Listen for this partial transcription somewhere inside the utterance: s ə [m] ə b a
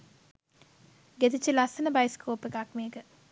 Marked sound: incorrect: n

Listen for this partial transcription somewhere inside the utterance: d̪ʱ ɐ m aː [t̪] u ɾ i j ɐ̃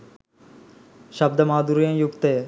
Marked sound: incorrect: d̪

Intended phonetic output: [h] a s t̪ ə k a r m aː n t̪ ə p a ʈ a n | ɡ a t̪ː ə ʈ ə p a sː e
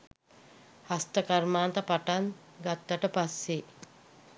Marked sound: correct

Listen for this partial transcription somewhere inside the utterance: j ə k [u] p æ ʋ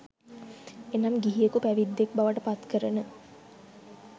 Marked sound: correct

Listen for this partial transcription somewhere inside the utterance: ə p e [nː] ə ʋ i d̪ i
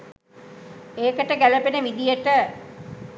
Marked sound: incorrect: n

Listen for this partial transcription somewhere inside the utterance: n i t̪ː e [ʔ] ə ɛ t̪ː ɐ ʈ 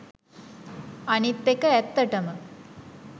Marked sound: incorrect: k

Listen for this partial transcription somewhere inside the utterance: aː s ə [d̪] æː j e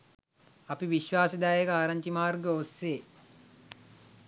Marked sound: correct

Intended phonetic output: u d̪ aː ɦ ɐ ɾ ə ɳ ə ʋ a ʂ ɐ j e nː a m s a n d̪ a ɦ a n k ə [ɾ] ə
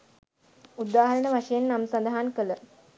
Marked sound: incorrect: l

